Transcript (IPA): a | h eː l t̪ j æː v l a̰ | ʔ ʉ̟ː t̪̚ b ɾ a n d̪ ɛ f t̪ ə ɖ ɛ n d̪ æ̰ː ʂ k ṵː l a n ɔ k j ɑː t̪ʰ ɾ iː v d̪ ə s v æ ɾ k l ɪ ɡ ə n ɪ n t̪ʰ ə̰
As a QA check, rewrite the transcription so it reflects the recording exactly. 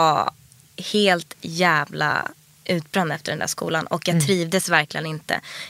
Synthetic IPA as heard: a | h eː l t̪ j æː v l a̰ | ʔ ʉ̟ː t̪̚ b ɾ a n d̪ ɛ f t̪ ə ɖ ɛ n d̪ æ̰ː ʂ k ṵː l a n ɔ k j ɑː t̪ʰ ɾ iː v d̪ ə s v æ ɾ k l ɪ ɡ ə n ɪ n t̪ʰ ə̰